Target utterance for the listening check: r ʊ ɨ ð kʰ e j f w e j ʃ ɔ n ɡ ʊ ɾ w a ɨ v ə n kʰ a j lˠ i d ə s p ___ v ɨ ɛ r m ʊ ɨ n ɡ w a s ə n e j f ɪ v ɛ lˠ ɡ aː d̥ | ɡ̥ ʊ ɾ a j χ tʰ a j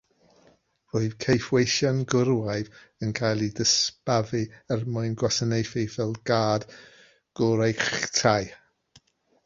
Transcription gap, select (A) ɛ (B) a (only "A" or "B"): B